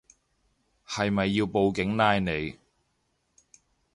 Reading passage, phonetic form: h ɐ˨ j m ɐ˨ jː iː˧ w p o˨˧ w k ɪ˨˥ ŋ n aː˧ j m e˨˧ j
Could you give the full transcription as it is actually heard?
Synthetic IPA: h ɐ˨ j m ɐ˨ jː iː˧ w p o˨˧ w k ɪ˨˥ ŋ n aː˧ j n e˨˧ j